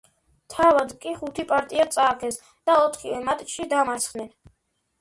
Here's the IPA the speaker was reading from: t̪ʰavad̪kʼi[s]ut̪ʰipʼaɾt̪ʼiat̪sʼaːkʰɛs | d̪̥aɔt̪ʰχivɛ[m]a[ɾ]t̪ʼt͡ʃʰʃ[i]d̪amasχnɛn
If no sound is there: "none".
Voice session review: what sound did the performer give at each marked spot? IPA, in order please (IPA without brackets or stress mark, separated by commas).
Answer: χ, m, none, i